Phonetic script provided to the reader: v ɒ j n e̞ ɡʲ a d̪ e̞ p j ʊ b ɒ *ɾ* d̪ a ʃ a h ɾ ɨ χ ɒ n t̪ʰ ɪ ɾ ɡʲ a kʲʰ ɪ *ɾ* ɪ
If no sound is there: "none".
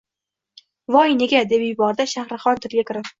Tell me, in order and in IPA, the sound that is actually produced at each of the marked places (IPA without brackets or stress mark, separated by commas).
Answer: ɾ, ɾ